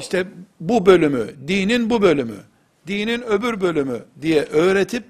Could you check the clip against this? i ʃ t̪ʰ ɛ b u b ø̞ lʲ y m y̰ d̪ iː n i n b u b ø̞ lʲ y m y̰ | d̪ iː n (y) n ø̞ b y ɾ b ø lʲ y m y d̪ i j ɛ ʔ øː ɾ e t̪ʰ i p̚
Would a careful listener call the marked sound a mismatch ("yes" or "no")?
yes